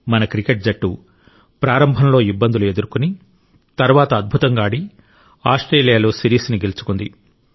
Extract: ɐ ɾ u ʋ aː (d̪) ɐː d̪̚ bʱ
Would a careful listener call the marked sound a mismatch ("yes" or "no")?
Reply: yes